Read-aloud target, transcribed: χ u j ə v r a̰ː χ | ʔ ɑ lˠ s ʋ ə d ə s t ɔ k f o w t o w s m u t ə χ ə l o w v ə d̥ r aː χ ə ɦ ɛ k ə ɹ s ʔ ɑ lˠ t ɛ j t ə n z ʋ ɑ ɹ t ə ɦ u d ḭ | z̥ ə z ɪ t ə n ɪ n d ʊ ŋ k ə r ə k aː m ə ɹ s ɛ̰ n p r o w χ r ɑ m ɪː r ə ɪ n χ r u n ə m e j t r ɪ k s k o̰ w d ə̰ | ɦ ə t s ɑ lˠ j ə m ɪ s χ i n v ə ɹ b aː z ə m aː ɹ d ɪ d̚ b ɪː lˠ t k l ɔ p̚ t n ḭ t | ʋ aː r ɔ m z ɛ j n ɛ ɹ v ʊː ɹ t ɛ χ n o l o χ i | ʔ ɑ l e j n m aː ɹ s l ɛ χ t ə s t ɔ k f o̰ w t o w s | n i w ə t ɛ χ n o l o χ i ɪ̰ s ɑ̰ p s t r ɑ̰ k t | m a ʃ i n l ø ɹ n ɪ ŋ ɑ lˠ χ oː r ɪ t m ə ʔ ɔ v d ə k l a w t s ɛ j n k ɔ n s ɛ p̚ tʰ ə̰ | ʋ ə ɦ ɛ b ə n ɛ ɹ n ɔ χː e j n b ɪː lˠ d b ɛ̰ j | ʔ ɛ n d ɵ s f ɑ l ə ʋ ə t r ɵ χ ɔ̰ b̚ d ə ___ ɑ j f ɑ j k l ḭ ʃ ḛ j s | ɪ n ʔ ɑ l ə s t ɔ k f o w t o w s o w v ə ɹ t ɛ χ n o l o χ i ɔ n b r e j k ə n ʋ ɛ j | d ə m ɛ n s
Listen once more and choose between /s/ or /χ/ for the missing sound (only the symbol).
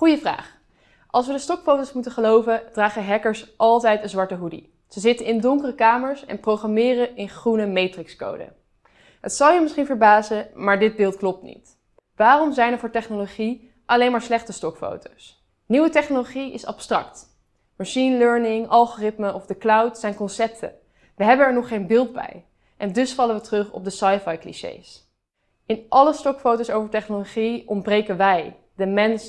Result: s